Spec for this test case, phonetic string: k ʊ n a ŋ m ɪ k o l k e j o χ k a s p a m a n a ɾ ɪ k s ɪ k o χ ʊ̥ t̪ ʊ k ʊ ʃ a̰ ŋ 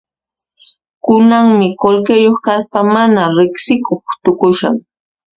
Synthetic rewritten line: k ʊ n a ŋ m ɪ k o l k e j o χ k a s p a m a n a ɾ ɪ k s ɪ k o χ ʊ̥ t̪ ʊ k ʊ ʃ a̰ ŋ